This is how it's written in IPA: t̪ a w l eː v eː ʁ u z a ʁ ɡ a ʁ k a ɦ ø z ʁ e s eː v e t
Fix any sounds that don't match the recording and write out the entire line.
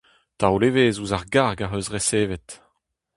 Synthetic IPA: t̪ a w l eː v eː z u z a ʁ ɡ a ʁ ɡ a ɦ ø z ʁ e s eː v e t